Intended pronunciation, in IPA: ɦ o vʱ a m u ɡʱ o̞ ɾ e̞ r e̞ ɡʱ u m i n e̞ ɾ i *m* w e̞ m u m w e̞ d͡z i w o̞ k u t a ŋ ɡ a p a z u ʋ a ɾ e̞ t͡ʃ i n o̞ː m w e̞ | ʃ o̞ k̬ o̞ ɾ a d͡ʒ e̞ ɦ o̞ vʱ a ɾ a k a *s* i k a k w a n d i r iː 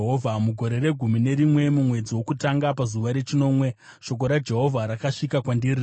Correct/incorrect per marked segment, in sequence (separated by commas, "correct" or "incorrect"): correct, incorrect